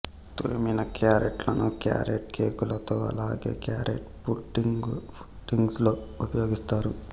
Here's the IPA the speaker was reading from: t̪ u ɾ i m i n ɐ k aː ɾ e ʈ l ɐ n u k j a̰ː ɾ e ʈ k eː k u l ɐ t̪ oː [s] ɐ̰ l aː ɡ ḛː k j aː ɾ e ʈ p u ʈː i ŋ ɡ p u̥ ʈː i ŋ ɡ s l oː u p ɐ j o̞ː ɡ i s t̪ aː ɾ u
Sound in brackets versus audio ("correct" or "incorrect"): incorrect